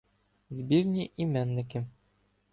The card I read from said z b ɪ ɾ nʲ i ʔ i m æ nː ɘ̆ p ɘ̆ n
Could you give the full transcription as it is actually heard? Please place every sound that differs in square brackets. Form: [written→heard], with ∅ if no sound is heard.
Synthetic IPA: z b [ɪ→i] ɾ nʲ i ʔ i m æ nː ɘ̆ [p→k] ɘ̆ [n→m]